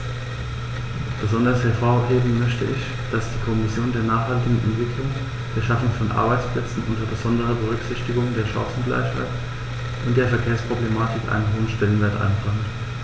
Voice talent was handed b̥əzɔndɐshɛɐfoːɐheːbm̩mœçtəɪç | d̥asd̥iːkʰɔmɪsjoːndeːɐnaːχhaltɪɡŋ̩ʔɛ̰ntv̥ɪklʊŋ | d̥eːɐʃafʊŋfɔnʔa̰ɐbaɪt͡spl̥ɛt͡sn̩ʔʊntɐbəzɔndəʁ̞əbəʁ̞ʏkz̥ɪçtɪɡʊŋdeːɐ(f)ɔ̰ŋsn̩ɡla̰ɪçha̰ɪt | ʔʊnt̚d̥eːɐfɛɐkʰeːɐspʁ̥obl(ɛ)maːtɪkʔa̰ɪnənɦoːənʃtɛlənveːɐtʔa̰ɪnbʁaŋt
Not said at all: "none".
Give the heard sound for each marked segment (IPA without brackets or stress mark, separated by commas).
ʃ, e